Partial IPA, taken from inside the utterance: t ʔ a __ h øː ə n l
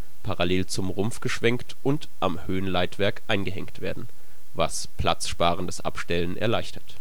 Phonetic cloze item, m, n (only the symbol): m